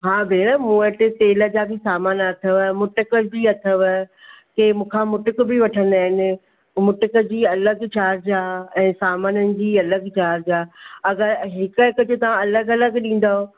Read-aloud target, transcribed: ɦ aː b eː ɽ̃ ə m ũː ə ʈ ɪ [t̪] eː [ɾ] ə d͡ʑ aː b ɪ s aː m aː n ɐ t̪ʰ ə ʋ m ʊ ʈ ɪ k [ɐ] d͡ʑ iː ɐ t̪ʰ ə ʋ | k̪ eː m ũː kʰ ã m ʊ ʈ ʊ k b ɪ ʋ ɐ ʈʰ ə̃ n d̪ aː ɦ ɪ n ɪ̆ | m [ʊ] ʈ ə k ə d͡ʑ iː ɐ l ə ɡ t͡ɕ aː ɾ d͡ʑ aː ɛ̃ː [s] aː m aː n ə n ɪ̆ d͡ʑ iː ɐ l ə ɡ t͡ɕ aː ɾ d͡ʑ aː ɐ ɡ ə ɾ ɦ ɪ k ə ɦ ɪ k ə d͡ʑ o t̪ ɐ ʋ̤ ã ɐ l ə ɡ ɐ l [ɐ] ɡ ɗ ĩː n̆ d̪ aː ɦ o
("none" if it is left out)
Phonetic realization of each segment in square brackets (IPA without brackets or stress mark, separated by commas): t̪, l, ə, ʊ, s, ə